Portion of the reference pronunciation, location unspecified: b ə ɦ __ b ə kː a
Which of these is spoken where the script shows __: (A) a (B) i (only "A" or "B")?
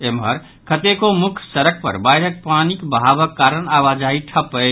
A